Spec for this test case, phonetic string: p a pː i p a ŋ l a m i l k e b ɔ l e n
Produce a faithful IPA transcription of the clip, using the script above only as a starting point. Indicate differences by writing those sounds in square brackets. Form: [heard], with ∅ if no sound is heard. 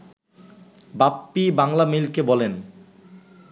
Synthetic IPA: [b] a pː i [b] a ŋ l a m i l k e b ɔ l e n